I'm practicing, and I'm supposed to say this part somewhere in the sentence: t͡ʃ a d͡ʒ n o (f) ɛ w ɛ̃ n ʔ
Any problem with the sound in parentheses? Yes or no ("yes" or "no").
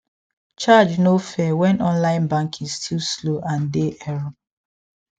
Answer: no